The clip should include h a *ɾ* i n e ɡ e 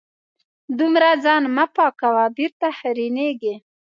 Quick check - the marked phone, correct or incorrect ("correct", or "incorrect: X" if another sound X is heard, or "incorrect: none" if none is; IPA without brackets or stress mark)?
correct